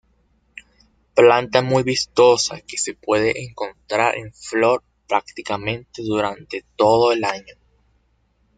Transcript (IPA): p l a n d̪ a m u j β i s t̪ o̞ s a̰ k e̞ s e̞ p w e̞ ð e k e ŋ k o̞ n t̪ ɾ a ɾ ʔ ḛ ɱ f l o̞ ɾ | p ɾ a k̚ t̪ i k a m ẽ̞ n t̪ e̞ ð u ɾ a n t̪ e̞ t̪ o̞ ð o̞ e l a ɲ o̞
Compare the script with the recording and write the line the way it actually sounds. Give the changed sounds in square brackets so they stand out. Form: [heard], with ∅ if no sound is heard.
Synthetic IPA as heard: p l a n [t̪] a m u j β i s t̪ o̞ s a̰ k e̞ s e̞ p w e̞ ð e [ʔ] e ŋ k o̞ n t̪ ɾ a ɾ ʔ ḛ ɱ f l o̞ ɾ | p ɾ a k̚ t̪ i k a m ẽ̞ n t̪ e̞ ð u ɾ a n t̪ e̞ t̪ o̞ ð o̞ e l a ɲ o̞